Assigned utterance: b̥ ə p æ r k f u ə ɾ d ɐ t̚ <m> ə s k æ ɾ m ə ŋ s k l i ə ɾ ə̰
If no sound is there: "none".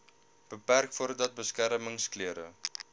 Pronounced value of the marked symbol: b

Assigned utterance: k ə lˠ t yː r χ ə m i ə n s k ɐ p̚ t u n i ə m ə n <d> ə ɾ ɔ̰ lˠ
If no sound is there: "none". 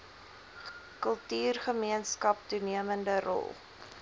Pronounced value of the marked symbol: d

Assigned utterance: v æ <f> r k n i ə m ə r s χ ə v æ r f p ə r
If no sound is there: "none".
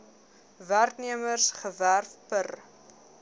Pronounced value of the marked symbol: none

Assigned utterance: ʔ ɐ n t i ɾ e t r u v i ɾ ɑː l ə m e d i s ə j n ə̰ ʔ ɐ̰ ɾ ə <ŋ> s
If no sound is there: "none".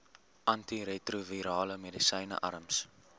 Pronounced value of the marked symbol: m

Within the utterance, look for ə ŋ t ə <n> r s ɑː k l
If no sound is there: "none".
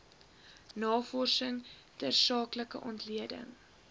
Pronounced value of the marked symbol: none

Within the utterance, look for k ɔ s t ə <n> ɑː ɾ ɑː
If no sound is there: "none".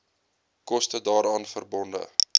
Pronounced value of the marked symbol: d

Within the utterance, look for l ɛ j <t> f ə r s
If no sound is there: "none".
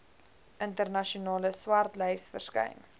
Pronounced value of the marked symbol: s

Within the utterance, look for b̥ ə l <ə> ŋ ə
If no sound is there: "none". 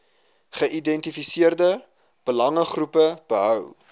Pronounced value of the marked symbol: ɐ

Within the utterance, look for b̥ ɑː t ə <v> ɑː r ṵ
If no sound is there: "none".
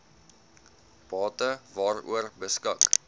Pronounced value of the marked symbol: v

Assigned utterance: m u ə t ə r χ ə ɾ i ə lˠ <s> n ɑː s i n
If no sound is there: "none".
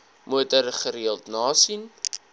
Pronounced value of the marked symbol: t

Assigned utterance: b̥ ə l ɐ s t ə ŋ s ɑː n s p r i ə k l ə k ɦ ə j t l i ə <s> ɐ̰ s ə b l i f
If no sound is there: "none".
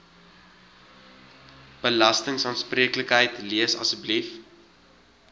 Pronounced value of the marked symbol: s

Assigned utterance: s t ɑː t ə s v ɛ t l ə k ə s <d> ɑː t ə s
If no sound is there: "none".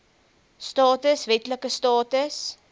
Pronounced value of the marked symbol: t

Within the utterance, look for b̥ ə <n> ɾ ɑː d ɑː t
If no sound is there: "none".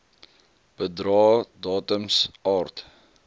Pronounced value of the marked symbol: d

